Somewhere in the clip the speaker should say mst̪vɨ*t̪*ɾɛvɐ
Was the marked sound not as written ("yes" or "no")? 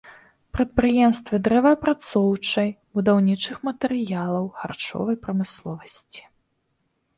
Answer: yes